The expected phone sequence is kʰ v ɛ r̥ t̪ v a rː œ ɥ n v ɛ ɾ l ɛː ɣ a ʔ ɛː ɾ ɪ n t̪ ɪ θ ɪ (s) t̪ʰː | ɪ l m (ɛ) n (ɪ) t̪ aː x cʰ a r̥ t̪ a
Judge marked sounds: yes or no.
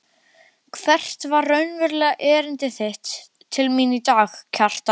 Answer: no, no, no

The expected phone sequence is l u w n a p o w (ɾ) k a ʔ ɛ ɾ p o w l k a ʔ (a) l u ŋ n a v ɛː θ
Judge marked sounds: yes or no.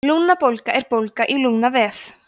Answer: no, no

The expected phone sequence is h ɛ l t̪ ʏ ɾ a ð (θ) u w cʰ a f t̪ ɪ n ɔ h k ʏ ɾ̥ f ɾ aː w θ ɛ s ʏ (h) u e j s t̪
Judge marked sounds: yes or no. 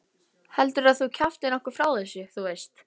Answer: yes, no

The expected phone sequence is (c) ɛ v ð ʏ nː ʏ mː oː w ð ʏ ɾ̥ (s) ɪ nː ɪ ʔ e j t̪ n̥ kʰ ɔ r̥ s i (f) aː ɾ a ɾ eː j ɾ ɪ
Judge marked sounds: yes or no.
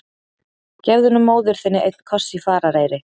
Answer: yes, no, yes

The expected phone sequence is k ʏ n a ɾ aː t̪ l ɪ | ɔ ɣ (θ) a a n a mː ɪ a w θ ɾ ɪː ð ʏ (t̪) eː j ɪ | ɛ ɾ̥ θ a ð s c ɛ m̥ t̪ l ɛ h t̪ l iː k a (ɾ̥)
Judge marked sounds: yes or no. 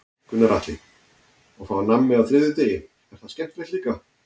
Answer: no, yes, no

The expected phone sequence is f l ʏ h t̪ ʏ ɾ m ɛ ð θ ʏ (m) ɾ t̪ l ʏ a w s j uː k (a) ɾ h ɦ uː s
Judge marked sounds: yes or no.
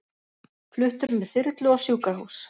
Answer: no, yes

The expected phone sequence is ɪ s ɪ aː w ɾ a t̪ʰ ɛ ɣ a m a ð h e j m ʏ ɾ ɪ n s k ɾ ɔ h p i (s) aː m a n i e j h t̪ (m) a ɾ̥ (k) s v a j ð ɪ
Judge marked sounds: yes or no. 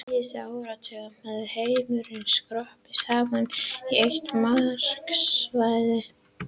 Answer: yes, yes, yes

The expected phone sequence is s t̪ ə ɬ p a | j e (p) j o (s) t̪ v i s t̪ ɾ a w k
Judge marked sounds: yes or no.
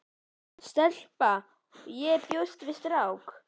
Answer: yes, yes

